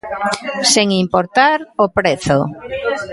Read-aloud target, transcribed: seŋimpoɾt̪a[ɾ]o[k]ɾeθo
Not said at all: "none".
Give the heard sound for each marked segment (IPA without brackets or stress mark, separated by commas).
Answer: ɾ, p